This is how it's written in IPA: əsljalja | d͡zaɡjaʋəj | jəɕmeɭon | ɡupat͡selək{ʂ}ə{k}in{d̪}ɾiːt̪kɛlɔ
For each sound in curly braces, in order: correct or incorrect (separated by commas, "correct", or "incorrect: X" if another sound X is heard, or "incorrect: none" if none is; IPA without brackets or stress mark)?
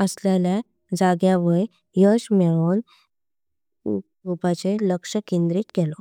correct, correct, correct